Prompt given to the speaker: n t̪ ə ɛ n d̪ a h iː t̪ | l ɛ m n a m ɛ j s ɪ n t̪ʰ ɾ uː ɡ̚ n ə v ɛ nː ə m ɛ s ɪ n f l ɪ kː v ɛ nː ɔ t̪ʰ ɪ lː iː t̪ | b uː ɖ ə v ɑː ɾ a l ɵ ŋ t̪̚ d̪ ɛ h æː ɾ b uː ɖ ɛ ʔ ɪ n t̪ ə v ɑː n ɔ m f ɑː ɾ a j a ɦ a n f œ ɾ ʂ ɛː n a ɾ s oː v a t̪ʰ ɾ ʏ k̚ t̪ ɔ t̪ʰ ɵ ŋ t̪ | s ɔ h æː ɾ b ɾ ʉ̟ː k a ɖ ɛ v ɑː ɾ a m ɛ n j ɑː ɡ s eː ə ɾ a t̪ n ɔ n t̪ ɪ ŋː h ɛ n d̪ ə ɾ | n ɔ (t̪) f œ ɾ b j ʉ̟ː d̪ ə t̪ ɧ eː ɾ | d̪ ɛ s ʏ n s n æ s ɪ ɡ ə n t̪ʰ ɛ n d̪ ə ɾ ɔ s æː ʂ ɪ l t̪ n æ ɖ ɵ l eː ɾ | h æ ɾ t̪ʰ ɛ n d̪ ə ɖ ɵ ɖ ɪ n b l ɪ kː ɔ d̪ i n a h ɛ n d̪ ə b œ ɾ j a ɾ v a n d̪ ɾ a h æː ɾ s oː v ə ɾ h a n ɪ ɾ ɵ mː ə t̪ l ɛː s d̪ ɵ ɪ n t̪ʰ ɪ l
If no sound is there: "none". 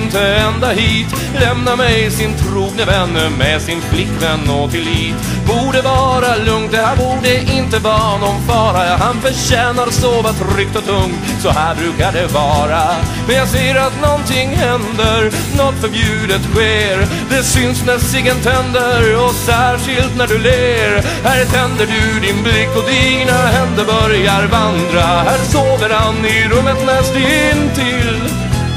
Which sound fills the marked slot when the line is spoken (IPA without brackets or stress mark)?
t̪